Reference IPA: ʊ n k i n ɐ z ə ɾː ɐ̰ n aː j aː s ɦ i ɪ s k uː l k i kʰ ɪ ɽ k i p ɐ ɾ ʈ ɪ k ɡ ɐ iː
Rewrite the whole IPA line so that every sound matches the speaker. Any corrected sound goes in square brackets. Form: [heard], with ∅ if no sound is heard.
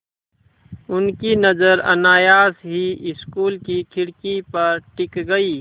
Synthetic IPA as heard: ʊ n k i n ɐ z ə [ɾ] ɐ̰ n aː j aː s ɦ i ɪ s k uː l k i kʰ ɪ ɽ k i p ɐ ɾ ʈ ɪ k ɡ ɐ iː